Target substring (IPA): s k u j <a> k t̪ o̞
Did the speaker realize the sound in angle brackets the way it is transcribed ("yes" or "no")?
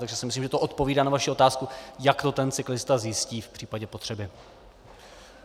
yes